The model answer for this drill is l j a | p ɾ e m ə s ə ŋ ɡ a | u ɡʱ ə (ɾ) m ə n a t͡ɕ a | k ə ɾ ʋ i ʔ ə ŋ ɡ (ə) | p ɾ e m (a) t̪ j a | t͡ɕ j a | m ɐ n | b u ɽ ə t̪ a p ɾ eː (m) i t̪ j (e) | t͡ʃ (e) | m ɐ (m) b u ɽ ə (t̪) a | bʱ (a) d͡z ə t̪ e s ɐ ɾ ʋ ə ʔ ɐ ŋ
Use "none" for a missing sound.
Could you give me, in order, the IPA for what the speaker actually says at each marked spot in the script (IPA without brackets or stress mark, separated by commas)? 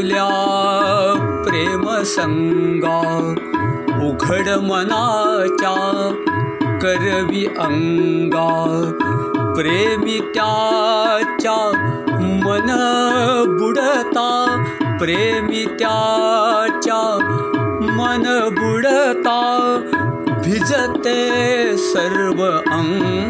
ɽ, a, i, m, a, a, n, t̪, i